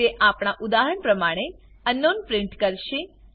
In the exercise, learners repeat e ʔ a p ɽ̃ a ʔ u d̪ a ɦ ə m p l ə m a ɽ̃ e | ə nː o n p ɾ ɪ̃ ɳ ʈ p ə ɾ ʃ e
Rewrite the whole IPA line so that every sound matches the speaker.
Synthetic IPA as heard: e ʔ a p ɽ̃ a ʔ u d̪ a ɦ ə ɳ p ɾ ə m a ɽ̃ e | ə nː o n p ɾ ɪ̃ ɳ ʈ k ə ɾ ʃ e

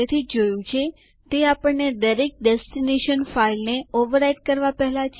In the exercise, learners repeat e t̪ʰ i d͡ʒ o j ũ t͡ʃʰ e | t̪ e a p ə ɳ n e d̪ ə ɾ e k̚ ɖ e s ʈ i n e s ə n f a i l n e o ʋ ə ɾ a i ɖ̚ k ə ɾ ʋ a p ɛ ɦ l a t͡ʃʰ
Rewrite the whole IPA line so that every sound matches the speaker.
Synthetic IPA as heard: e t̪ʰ i d͡ʒ o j ũ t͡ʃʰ e | t̪ e a p ə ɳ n e d̪ ə ɾ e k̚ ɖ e s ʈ i n e ʃ ə n f a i l n e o ʋ ə ɾ a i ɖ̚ k ə ɾ ʋ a p ɛ ɦ l a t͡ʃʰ

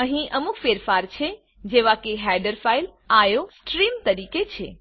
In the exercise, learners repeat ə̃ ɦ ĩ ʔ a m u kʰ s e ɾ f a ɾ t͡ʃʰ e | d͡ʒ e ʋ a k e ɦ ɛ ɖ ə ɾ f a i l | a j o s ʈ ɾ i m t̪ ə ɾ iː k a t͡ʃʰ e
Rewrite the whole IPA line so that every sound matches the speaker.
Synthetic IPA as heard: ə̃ ɦ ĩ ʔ ə m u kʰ f e ɾ f a ɾ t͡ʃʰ e | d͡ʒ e ʋ a k e ɦ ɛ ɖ ə ɾ f a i l | a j o s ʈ ɾ i m t̪ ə ɾ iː k e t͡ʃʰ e

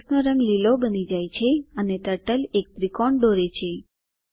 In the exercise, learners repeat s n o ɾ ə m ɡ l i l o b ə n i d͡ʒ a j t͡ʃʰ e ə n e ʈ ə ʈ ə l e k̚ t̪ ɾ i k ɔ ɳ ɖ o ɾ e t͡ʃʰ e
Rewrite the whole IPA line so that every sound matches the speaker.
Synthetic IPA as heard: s n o ɾ ə ŋ ɡ l i l o b ə n i d͡ʒ a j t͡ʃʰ e ə n e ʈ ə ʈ ə l e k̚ t̪ ɾ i k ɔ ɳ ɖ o ɾ e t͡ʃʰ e

